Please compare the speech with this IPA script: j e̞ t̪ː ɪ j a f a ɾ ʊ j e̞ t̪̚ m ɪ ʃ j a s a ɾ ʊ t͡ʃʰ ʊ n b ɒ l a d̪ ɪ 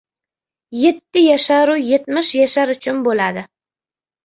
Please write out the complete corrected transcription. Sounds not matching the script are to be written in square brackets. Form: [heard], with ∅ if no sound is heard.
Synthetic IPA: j e̞ t̪ː ɪ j a [ʃ] a ɾ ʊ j e̞ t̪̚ m ɪ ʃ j a [ʃ] a ɾ ʊ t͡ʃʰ ʊ n b [o] l a d̪ ɪ